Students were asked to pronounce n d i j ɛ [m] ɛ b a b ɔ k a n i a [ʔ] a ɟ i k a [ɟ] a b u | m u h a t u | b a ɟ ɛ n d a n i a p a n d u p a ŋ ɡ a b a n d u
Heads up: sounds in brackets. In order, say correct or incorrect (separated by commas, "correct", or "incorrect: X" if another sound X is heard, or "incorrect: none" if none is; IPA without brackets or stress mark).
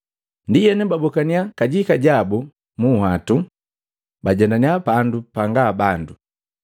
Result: incorrect: n, incorrect: k, correct